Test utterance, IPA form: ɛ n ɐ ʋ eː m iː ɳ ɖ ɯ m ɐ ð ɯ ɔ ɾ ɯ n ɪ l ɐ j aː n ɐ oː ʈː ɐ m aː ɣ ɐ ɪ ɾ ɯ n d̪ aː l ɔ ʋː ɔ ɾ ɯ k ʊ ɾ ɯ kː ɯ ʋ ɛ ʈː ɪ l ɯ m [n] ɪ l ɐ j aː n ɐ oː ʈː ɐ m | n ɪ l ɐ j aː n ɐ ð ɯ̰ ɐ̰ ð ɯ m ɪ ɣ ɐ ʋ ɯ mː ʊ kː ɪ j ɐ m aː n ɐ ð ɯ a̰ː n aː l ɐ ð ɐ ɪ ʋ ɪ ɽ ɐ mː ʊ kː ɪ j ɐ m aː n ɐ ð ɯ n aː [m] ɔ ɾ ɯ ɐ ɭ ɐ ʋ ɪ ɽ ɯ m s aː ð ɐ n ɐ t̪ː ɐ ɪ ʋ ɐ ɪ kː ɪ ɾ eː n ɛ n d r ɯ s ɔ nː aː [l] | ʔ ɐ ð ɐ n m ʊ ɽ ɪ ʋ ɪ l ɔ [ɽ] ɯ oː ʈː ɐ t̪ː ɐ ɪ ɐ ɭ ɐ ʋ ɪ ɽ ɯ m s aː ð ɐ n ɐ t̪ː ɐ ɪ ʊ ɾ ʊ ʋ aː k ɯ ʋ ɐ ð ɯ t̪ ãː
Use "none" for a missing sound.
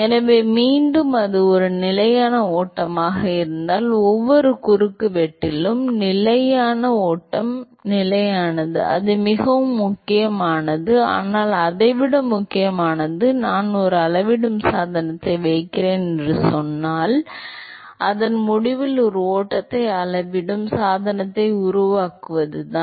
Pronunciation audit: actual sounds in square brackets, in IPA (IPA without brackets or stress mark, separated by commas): n, n, l, ɾ